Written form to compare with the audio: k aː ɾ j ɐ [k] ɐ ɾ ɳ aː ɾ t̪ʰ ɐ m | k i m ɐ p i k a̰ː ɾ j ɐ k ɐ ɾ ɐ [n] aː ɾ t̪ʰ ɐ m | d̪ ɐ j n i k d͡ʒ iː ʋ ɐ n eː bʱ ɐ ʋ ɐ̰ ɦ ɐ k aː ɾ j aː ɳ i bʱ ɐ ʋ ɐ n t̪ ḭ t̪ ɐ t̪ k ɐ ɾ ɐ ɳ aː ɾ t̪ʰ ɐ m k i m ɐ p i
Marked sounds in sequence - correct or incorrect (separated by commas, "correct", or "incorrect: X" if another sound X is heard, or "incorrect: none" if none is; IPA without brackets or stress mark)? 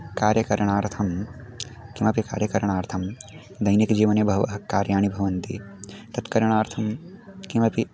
correct, incorrect: ɳ